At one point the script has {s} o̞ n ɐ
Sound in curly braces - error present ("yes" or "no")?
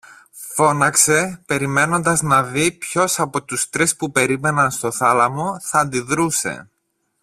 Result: yes